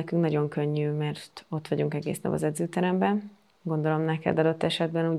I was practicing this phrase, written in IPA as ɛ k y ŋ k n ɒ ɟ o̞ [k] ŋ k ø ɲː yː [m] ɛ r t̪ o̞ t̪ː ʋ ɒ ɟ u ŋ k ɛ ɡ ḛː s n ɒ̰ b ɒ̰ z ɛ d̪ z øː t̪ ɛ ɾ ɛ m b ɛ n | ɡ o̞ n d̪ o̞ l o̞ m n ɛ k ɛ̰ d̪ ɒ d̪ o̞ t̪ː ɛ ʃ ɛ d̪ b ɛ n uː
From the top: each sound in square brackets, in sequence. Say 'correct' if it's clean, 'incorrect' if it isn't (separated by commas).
incorrect, correct